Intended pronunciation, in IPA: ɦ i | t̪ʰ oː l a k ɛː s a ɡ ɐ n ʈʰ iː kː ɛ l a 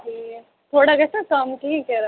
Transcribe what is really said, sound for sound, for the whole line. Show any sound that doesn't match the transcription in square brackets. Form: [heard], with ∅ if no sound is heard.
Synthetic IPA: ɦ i | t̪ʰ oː [ɽ] a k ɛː s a [k] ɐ [m] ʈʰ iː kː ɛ [ɾ] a